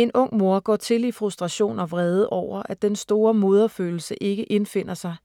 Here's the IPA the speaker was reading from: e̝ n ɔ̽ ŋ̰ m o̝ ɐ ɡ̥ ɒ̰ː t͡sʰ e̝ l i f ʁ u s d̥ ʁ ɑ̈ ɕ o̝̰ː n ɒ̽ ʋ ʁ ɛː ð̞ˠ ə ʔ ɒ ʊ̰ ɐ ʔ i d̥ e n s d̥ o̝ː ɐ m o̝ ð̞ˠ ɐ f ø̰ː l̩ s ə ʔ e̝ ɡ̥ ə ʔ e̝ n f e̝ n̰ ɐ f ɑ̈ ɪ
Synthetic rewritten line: e̝ n ɔ̽ ŋ̰ m o̝ ɐ ɡ̥ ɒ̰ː t͡sʰ e̝ l i f ʁ u s d̥ ʁ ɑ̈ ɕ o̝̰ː n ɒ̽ ʋ ʁ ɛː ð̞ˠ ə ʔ ɒ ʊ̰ ɐ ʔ æ d̥ e n s d̥ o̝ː ɐ m o̝ ð̞ˠ ɐ f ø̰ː l̩ s ə ʔ e̝ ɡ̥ ə ʔ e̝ n f e̝ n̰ ɐ s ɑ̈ ɪ